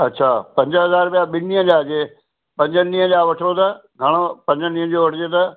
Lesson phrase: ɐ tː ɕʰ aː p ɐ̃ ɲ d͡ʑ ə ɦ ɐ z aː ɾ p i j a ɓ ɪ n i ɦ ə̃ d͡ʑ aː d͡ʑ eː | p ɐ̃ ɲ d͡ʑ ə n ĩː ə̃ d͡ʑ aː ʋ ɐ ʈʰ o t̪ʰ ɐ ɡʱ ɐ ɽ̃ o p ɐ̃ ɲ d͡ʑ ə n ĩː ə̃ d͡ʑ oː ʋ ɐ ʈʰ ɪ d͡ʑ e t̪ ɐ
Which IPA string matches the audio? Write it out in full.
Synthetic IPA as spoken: ɐ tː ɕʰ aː p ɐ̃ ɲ d͡ʑ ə ɦ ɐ z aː ɾ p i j a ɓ ɪ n i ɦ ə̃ d͡ʑ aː d͡ʑ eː | p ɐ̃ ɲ d͡ʑ ə n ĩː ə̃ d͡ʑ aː ʋ ɐ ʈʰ o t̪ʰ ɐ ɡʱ ɐ ɽ̃ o p ɐ̃ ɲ d͡ʑ ə n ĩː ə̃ d͡ʑ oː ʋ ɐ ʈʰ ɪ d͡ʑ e t̪ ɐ